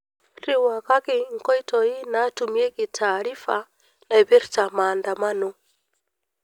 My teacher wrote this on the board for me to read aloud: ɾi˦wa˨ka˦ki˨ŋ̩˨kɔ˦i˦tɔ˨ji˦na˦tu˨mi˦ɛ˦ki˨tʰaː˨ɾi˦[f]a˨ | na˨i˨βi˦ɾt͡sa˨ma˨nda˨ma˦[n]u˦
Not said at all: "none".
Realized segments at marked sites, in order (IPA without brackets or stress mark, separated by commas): f, n